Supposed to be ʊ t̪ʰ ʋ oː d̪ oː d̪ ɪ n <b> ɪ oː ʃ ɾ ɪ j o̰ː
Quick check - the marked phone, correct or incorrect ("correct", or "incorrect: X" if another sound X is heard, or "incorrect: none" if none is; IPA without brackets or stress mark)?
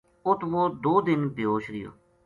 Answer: correct